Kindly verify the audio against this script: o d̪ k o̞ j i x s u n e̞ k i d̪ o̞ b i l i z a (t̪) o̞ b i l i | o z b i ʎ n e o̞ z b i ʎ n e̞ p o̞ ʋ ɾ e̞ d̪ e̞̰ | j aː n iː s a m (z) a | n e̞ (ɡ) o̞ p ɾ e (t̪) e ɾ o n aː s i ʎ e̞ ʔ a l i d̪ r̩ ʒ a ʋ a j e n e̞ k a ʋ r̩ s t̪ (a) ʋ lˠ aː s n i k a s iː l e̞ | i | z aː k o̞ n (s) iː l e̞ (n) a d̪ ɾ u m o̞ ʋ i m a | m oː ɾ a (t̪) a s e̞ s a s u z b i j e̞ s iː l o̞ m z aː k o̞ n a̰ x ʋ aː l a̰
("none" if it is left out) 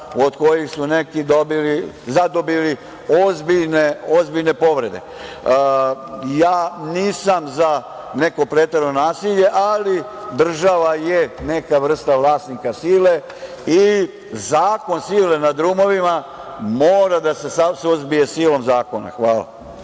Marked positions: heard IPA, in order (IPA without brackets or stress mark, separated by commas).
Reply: d̪, z, k, t̪, a, s, n, d̪